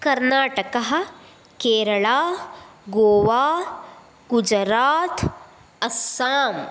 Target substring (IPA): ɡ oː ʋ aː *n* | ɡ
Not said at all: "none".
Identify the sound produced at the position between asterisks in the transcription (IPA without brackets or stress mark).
none